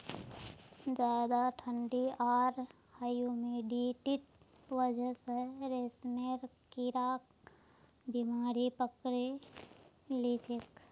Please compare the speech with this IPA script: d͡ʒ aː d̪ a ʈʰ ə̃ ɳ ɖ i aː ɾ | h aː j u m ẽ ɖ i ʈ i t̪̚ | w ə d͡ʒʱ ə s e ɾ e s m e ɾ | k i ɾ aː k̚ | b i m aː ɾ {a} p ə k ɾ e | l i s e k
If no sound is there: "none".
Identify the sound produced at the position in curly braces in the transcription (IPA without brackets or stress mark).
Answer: i